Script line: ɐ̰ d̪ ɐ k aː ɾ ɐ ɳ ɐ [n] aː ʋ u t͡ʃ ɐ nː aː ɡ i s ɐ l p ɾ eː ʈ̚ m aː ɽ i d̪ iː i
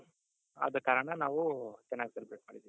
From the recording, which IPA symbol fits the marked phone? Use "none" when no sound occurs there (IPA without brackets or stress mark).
n